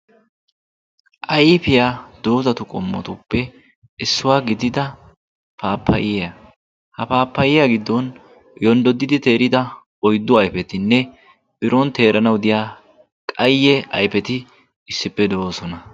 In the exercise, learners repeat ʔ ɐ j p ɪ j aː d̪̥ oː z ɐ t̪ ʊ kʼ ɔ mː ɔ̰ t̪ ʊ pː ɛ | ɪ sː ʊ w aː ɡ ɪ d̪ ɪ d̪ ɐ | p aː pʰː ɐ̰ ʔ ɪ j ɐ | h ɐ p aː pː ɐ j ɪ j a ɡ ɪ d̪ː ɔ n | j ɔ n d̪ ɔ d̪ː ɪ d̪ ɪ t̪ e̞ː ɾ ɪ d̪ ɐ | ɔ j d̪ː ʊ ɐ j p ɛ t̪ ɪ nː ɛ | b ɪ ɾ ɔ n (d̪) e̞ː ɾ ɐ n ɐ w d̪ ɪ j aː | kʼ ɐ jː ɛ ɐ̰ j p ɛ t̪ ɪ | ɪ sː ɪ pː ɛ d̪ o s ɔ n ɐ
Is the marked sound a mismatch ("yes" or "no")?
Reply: yes